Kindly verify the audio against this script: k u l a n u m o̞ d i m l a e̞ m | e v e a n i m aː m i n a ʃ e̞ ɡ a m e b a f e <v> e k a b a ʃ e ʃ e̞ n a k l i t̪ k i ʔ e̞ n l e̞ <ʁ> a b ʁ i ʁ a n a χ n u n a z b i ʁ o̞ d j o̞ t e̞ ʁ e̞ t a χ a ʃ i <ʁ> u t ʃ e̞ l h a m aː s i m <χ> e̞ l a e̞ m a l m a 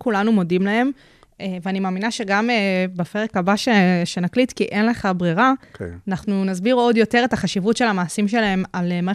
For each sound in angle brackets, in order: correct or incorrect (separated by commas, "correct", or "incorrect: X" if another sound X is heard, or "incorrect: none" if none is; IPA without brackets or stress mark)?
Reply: incorrect: ʁ, incorrect: χ, incorrect: v, incorrect: ʃ